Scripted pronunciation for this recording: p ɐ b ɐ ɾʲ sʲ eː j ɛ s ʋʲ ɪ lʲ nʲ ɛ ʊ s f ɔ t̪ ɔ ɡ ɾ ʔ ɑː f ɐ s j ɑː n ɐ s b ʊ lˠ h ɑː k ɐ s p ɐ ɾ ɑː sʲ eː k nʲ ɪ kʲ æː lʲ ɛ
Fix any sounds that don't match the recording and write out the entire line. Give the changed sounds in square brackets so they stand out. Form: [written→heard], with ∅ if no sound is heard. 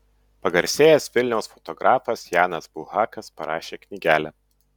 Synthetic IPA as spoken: p ɐ [b→ɡ] ɐ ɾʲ sʲ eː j ɛ s ʋʲ ɪ lʲ nʲ ɛ ʊ s f ɔ t̪ ɔ ɡ ɾ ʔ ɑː f ɐ s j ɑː n ɐ s b ʊ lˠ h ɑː k ɐ s p ɐ ɾ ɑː [sʲ→ʃʲ] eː k nʲ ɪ [kʲ→ɡʲ] æː lʲ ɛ